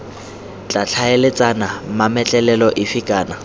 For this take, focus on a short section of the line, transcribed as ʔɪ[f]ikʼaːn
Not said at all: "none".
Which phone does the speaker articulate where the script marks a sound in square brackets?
f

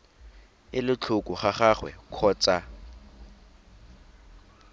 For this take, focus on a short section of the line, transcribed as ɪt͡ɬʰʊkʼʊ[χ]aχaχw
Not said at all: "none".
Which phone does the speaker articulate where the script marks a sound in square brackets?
χ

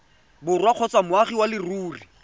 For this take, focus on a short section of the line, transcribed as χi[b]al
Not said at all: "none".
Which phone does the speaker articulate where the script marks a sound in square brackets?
w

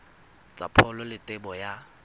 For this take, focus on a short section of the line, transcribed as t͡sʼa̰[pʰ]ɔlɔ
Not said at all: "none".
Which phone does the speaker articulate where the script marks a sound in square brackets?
pʰ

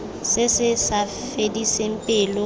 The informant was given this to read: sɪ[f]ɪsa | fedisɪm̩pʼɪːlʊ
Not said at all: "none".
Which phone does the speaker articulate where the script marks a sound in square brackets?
s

